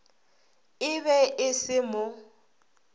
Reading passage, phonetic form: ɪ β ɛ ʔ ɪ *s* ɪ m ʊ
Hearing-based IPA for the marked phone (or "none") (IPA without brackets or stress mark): s